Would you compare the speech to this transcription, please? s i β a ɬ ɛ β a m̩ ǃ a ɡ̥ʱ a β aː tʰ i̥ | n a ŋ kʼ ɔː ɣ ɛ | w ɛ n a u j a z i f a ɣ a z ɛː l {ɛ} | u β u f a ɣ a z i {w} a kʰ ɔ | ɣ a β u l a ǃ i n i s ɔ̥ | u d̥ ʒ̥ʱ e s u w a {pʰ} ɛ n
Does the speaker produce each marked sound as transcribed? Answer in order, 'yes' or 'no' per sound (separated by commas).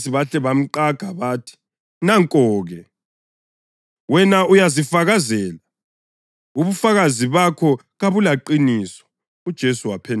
no, no, yes